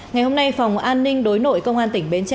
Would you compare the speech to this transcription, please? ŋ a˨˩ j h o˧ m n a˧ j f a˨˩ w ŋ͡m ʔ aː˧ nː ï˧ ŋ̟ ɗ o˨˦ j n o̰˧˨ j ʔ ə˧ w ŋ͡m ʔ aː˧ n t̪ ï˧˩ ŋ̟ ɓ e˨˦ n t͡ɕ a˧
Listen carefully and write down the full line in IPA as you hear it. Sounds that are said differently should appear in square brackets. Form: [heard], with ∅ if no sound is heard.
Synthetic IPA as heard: ŋ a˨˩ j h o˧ m n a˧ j f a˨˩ w ŋ͡m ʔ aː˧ nː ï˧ ŋ̟ ɗ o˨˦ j n o̰˧˨ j [k] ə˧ w ŋ͡m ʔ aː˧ n t̪ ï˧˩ ŋ̟ ɓ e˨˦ n t͡ɕ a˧